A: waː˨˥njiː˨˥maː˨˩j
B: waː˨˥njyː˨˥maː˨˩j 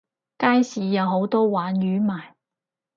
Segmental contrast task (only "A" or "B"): B